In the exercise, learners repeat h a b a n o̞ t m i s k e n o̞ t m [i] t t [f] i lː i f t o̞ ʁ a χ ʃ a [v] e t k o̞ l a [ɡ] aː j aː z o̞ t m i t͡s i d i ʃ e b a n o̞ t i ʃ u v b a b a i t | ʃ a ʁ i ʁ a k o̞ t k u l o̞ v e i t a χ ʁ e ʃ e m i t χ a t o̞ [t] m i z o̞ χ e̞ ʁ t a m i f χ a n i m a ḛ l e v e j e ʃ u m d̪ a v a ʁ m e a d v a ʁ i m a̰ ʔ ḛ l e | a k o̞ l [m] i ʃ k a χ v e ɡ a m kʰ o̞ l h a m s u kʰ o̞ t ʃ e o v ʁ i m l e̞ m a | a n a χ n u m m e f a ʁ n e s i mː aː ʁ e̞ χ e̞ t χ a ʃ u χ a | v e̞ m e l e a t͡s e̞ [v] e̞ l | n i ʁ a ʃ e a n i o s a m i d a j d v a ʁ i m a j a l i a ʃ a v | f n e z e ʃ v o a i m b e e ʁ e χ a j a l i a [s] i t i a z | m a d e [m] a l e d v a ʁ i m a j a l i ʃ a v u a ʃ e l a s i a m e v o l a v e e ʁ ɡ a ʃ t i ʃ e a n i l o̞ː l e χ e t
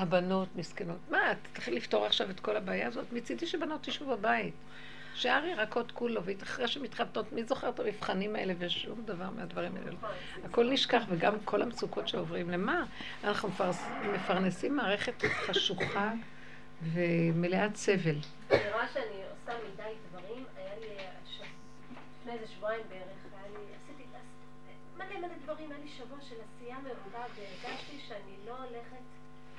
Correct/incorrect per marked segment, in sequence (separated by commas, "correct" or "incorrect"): incorrect, incorrect, correct, incorrect, correct, incorrect, correct, correct, correct